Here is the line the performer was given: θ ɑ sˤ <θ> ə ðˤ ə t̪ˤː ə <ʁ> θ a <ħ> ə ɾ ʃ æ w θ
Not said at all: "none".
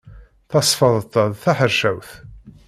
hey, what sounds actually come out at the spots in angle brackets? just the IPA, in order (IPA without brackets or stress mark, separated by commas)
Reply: f, ð, ħ